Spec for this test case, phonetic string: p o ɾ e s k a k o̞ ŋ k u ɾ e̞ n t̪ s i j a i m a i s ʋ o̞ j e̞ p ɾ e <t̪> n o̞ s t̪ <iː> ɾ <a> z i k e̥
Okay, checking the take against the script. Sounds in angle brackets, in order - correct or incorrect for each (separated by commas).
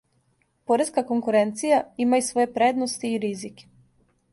incorrect, correct, incorrect